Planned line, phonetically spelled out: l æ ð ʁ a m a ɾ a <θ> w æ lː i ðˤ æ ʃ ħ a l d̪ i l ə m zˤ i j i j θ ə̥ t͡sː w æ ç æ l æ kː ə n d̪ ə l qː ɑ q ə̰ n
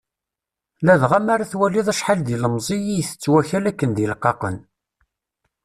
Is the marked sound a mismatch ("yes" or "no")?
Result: no